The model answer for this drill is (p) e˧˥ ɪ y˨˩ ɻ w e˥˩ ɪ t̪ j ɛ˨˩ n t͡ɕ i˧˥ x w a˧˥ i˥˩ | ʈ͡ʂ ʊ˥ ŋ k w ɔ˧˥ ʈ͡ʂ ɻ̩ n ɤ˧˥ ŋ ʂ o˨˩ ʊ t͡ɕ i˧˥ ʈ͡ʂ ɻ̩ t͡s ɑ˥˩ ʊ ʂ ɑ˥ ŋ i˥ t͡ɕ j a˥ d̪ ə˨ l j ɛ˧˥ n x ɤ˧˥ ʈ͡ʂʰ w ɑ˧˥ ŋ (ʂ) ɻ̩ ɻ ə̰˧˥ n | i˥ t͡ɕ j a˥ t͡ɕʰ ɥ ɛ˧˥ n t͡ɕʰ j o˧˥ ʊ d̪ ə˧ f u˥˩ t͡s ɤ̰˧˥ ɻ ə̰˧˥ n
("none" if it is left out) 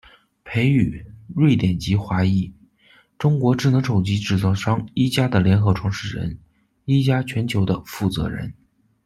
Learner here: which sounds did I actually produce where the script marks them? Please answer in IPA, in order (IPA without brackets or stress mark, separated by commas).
pʰ, ʂ